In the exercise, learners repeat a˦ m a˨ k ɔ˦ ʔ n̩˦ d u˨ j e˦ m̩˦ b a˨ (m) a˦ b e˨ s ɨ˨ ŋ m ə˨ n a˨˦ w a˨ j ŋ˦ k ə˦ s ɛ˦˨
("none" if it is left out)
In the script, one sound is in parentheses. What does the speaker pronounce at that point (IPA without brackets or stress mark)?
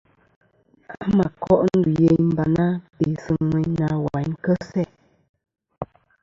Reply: n